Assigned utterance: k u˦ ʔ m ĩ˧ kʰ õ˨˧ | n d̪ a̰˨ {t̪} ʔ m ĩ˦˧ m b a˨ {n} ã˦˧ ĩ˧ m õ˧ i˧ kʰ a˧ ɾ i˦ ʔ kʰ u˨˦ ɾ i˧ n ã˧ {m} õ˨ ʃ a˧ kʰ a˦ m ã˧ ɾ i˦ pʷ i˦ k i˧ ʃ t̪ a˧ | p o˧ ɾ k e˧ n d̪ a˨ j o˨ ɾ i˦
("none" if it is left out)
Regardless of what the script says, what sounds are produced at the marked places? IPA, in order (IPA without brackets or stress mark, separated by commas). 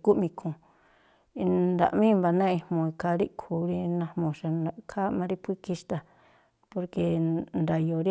none, n, m